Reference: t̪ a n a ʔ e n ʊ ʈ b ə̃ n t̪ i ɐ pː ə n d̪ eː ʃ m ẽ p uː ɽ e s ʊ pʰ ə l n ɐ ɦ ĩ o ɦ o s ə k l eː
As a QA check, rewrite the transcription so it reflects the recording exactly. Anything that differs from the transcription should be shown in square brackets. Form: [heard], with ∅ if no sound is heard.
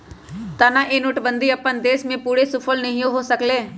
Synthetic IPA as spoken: t̪ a n a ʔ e n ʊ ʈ b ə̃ n [d̪] i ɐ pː ə n d̪ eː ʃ m ẽ p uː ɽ e s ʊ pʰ ə l n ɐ ɦ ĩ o ɦ o s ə k l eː